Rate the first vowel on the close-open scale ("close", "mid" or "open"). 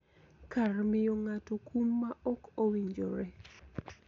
open